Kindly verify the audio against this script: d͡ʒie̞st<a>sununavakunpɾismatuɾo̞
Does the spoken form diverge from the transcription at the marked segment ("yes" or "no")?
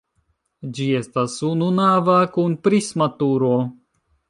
no